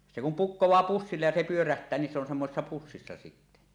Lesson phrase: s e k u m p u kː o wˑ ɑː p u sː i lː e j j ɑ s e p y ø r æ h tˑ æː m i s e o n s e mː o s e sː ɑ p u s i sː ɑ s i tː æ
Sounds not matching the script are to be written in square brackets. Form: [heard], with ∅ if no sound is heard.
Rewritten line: s e k u m p u kː o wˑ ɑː p u sː i lː e j j ɑ s e p y ø r æ h tˑ æː [n] i s e o n s e mː o s e sː ɑ p u [sː] i sː ɑ s i tː æ